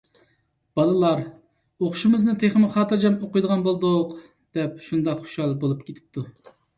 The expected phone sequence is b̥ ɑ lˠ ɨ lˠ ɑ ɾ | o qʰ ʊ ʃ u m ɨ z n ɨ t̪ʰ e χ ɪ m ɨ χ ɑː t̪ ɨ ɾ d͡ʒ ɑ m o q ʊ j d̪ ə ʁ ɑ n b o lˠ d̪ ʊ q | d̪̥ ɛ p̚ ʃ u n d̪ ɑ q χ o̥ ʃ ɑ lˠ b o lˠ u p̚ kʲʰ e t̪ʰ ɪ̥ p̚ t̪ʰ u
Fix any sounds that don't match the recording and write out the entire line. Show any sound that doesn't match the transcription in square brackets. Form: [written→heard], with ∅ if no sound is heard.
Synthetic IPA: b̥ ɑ lˠ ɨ lˠ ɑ ɾ | o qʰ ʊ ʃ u m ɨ z n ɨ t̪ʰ e χ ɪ m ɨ χ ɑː t̪ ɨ ɾ d͡ʒ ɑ m o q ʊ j d̪ ə ʁ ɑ n b o lˠ d̪ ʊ q | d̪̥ ɛ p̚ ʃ u n d̪ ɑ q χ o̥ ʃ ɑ lˠ b o lˠ u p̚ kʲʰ e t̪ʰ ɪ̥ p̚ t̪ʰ u